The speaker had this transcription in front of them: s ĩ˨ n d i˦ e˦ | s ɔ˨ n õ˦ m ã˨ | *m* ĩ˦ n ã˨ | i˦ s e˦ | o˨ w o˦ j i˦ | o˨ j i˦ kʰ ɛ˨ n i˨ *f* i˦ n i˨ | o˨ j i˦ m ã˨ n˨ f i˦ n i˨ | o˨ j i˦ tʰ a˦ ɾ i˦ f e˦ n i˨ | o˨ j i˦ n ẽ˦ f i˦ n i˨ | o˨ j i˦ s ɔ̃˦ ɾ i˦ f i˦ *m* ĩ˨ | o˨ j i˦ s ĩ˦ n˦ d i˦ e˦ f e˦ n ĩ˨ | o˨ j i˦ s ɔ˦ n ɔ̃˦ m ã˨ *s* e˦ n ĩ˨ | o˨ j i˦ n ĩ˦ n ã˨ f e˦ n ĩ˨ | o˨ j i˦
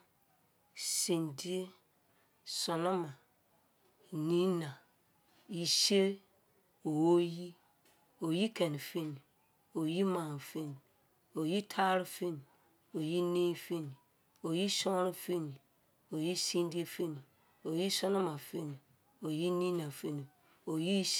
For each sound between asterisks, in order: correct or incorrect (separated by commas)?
incorrect, correct, incorrect, incorrect